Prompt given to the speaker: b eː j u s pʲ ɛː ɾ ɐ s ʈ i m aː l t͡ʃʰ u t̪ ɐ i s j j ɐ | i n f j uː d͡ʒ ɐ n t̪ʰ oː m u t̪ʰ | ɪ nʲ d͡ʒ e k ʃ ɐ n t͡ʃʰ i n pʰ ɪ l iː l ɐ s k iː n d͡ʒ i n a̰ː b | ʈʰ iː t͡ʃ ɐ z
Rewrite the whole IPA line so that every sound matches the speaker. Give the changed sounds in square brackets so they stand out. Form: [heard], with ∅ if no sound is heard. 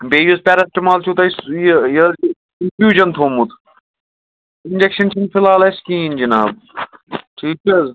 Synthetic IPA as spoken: b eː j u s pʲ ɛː ɾ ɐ s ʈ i m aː l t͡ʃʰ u t̪ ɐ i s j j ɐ | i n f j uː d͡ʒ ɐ n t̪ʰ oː m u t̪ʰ | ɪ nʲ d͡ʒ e k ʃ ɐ n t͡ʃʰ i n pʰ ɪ l [aː] l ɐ s k iː n d͡ʒ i n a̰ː b | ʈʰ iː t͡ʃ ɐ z